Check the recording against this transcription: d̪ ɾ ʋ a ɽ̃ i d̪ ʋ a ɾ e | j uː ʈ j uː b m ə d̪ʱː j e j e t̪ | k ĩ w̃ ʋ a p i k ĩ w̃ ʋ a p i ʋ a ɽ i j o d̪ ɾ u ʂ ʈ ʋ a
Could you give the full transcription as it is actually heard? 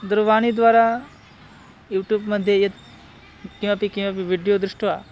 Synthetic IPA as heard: d̪ ɾ ʋ a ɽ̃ i d̪ ʋ a ɾ a | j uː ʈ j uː b m ə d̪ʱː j e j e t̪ | k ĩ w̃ ʋ a p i k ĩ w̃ ʋ a p i ʋ i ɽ i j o d̪ ɾ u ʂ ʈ ʋ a